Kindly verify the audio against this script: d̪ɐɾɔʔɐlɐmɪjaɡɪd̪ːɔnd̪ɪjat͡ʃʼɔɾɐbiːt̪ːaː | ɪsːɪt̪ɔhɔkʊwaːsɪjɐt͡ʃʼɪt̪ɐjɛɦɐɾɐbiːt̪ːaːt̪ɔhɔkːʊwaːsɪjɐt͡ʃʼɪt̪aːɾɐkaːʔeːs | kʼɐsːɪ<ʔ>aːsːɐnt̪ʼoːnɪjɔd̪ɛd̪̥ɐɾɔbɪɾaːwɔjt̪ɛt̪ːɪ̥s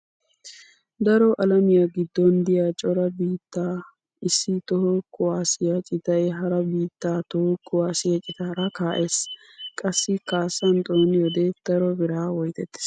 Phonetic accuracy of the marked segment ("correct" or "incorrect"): incorrect